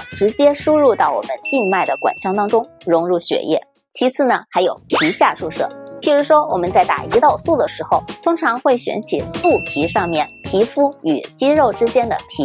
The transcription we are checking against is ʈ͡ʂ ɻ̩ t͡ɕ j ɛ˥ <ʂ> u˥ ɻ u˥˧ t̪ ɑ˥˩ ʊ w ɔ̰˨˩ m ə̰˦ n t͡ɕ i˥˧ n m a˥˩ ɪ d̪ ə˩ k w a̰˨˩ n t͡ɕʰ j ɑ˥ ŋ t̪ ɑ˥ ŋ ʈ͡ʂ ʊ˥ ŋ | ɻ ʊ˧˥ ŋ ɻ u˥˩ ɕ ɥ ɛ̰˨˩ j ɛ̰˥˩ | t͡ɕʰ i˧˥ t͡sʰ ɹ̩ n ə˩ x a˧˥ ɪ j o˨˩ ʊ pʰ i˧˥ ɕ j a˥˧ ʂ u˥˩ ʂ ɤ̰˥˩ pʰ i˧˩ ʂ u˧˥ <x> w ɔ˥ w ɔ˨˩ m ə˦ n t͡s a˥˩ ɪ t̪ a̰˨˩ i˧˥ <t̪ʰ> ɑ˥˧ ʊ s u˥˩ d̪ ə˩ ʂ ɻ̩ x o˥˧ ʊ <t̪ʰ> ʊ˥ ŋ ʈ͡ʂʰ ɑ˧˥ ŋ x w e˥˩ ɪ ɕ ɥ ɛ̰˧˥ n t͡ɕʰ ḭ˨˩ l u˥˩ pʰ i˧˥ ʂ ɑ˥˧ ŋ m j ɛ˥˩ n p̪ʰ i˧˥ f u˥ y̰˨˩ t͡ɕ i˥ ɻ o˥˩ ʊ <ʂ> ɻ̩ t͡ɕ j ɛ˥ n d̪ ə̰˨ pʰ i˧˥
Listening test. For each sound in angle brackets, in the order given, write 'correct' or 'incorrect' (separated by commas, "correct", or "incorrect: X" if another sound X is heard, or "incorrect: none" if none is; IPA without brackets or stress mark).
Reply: correct, incorrect: ʂ, incorrect: t̪, correct, incorrect: ʈ͡ʂ